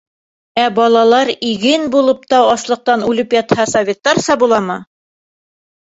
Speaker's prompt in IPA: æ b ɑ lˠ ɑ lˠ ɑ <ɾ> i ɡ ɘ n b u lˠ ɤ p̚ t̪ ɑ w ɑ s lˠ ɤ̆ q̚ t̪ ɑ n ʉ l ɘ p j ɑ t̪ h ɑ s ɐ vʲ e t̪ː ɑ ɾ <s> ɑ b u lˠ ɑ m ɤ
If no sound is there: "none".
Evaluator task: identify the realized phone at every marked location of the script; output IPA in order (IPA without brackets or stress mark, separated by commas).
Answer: ɾ, s